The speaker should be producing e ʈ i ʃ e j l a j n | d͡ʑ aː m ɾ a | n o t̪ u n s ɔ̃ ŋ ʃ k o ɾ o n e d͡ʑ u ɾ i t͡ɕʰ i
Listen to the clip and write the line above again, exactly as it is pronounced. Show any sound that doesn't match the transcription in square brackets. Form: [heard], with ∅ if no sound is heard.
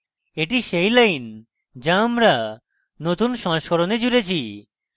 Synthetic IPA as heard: e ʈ i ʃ e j l a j n | d͡ʑ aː m ɾ a | n o t̪ u n [ʃ] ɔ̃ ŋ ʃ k o ɾ o n e d͡ʑ u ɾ [e] t͡ɕʰ i

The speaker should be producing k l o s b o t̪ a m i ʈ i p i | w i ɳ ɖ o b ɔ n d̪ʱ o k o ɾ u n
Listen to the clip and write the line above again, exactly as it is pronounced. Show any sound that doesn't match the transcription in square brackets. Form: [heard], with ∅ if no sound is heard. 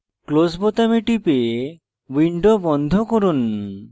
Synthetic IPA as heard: k l o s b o t̪ a m i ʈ i p [e] | w i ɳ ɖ o b ɔ n d̪ʱ o k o ɾ u n

